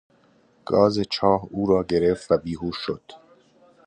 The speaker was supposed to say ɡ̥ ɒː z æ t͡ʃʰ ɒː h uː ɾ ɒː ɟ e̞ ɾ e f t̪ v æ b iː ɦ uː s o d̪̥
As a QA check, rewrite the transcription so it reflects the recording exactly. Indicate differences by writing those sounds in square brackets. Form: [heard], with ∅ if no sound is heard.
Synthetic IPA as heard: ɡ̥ ɒː z [e] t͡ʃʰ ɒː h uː ɾ ɒː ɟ e̞ ɾ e f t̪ v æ b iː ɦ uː [ʃ] o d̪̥